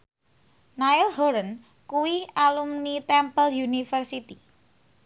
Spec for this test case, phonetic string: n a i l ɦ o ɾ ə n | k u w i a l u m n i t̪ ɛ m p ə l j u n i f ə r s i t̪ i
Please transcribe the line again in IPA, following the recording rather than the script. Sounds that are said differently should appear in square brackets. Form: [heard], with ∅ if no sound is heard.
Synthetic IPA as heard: n a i l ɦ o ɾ ə n | k u w i a l u m n i t̪ ɛ m p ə l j u n i f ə r s i t̪ i